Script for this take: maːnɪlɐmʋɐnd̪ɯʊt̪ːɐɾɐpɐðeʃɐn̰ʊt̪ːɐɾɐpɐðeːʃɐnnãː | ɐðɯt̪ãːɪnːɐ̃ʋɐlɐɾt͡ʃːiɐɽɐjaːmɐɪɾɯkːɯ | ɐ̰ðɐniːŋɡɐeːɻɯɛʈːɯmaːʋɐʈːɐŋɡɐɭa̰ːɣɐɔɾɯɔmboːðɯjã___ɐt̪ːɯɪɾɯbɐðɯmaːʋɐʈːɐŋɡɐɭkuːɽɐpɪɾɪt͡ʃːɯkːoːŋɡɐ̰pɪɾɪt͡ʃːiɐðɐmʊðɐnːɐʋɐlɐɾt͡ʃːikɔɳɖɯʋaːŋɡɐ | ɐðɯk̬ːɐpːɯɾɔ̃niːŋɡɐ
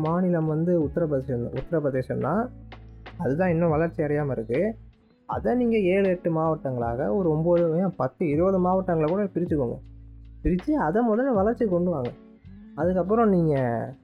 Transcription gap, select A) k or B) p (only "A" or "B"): B